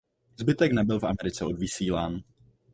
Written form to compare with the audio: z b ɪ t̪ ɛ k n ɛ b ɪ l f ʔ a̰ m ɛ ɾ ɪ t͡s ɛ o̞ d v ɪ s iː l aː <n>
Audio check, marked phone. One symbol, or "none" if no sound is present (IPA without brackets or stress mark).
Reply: n